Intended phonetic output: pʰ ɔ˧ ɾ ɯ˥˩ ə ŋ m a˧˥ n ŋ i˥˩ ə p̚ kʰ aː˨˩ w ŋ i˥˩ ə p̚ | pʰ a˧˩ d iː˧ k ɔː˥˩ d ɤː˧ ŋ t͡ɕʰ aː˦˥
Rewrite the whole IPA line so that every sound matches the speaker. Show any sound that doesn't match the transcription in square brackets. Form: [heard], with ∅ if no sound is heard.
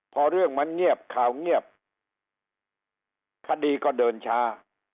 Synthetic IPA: pʰ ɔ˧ ɾ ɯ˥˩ ə ŋ m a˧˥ n ŋ i˥˩ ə p̚ kʰ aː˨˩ w ŋ i˥˩ ə p̚ | [kʰ] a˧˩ d iː˧ k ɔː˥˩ d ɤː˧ [n] t͡ɕʰ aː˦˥